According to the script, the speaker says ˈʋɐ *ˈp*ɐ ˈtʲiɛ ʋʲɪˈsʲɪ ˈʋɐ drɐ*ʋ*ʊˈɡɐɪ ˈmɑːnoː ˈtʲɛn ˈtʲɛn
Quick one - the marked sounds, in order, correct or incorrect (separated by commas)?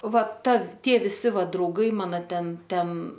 incorrect, incorrect